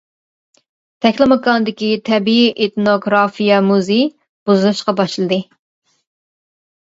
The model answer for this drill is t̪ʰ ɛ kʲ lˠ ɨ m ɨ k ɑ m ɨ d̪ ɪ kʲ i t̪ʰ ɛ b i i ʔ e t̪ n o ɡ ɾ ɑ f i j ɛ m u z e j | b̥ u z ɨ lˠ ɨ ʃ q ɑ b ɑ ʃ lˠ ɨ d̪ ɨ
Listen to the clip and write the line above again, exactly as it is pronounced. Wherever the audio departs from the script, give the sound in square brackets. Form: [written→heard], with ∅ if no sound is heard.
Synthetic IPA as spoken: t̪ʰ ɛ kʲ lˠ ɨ m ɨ k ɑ [m→n] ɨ d̪ ɪ kʲ i t̪ʰ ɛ b i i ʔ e t̪ n o ɡ ɾ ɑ f i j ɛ m u z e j | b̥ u z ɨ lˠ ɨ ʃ q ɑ b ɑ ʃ lˠ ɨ d̪ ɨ